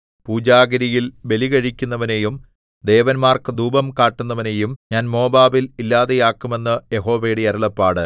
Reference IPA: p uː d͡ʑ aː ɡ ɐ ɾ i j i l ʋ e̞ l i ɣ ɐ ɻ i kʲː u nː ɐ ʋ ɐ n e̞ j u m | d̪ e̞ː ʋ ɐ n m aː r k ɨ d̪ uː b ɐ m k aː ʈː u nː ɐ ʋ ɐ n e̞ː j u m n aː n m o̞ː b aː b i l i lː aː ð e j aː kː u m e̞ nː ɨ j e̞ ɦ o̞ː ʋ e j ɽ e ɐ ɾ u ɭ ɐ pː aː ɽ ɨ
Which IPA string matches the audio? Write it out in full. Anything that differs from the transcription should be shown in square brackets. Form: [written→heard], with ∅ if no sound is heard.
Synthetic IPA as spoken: p uː d͡ʑ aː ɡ ɐ ɾ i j i l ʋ e̞ l i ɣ ɐ ɻ i kʲː u nː ɐ ʋ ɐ n e̞ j u m | d̪ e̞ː ʋ ɐ n m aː r k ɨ d̪ uː b ɐ m k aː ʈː u nː ɐ ʋ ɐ n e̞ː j u m [n→ɲ] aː n m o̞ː b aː b i l i lː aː ð e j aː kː u m e̞ nː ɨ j e̞ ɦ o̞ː ʋ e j ɽ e ɐ ɾ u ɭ ɐ pː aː ɽ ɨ